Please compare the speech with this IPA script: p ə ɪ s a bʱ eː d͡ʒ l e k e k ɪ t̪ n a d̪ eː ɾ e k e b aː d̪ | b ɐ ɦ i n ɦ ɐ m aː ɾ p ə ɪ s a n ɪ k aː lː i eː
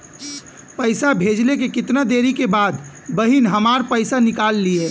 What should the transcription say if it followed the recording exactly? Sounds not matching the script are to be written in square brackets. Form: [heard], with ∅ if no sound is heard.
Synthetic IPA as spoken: p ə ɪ s a bʱ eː d͡ʒ l e k e k ɪ t̪ n a d̪ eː ɾ [i] k e b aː d̪ | b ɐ ɦ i n ɦ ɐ m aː ɾ p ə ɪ s a n ɪ k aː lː i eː

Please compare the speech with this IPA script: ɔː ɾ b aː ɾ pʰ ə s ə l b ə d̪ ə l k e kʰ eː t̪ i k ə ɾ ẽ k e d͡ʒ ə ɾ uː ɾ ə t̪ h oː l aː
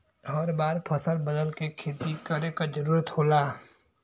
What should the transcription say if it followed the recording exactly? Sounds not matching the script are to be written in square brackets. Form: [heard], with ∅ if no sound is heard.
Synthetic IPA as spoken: ɔː ɾ b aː ɾ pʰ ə s ə l b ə d̪ ə l k e kʰ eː t̪ i k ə ɾ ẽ k [a] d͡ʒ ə ɾ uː ɾ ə t̪ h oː l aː

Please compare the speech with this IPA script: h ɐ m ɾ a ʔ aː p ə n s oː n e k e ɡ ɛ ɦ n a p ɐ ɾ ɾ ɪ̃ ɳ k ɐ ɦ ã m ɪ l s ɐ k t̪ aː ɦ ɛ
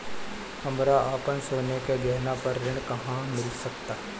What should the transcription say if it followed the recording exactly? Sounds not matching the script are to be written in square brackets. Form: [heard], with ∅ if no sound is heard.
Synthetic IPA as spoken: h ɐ m ɾ a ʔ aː p ə n s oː n e k e ɡ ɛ ɦ n a p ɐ ɾ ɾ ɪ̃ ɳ k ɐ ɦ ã m ɪ l s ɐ k t̪ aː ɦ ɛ

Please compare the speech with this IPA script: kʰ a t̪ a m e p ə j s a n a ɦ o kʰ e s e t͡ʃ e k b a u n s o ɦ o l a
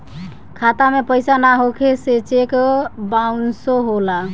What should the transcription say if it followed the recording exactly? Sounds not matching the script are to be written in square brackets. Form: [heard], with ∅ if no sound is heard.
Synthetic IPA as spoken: kʰ a t̪ a m e p ə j s a n a ɦ o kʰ e s e t͡ʃ e k b a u n s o ɦ o l a

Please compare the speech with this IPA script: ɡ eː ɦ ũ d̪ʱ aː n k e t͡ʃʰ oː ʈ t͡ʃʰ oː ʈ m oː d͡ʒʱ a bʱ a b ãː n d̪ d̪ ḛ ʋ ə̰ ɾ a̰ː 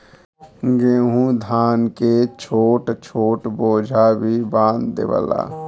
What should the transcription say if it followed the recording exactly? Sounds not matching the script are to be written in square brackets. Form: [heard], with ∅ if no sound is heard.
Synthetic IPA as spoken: ɡ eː ɦ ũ d̪ʱ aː n k e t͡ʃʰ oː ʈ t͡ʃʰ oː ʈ [b] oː d͡ʒʱ a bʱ [i] b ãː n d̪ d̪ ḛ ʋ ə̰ [l] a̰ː

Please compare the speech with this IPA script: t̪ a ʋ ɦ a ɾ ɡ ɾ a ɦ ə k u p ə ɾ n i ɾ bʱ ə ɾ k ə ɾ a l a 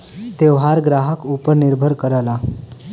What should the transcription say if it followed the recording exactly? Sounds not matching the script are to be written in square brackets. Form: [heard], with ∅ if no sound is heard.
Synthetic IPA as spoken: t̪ [e] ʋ ɦ a ɾ ɡ ɾ a ɦ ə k u p ə ɾ n i ɾ bʱ ə ɾ k ə ɾ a l a

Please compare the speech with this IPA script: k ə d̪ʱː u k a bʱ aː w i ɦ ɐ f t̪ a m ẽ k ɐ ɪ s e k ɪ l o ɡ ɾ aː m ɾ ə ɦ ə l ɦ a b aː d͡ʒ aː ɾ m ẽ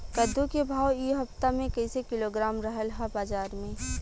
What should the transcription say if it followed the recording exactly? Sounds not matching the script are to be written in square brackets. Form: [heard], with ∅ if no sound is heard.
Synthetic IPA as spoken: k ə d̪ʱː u k [e] bʱ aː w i ɦ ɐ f t̪ a m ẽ k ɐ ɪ s e k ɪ l o ɡ ɾ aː m ɾ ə ɦ ə l ɦ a b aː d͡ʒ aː ɾ m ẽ

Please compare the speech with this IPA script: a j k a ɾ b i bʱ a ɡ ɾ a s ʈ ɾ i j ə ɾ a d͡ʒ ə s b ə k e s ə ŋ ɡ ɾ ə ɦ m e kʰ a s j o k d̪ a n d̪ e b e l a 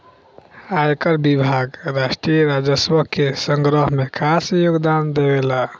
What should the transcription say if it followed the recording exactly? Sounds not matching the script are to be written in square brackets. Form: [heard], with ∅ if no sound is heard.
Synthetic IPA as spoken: a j k [ə] ɾ b i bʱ a ɡ ɾ a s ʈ ɾ i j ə ɾ a d͡ʒ ə s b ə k e s ə ŋ ɡ ɾ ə ɦ m e kʰ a s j o [ɡ] d̪ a n d̪ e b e l a

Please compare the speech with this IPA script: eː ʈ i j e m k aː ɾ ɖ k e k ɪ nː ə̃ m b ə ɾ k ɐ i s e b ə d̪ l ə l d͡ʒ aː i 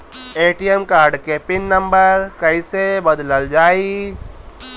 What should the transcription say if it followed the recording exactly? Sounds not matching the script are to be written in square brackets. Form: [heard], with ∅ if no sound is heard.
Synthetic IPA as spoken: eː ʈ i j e m k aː ɾ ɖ k e [p] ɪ nː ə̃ m b ə ɾ k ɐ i s e b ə d̪ l ə l d͡ʒ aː i

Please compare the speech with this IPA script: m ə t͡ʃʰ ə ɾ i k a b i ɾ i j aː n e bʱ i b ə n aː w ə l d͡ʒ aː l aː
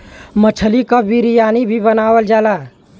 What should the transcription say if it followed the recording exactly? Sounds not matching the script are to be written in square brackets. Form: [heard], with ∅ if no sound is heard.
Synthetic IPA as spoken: m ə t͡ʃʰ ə [l] i k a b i ɾ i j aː n [i] bʱ i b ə n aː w ə l d͡ʒ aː l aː

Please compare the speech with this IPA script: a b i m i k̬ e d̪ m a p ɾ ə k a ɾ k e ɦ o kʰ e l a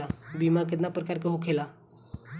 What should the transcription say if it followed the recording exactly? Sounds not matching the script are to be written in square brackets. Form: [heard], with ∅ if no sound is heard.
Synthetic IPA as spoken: a b i m [a] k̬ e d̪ [n] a p ɾ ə k a ɾ k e ɦ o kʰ e l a

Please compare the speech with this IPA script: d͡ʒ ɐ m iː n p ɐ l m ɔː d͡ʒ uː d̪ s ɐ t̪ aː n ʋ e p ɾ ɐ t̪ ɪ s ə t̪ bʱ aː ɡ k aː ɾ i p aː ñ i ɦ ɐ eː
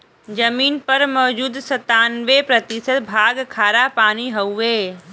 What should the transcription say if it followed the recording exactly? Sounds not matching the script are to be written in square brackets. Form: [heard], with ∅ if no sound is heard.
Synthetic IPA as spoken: d͡ʒ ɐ m iː n p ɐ [ɾ] m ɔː d͡ʒ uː d̪ s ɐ t̪ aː n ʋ e p ɾ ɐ t̪ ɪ s ə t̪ bʱ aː ɡ [kʰ] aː ɾ [a] p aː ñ i ɦ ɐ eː

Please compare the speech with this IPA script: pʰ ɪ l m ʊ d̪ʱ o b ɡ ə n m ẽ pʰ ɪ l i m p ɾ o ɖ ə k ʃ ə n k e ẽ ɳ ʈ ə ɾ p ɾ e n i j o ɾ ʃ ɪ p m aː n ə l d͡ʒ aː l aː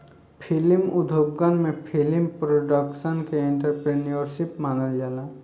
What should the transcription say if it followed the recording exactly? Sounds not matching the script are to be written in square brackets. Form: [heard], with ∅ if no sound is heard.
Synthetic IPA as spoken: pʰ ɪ l m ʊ d̪ʱ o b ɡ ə n m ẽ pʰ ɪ l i m p ɾ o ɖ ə k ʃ ə n k e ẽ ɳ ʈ ə ɾ p ɾ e n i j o ɾ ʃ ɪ p m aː n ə l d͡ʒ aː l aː

